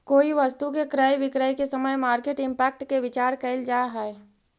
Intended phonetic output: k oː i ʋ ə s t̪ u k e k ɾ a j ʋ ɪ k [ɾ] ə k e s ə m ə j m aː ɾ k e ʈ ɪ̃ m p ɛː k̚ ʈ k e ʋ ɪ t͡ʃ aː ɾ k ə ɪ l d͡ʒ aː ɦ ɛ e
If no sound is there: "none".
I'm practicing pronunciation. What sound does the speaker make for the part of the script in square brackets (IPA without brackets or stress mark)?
ɾ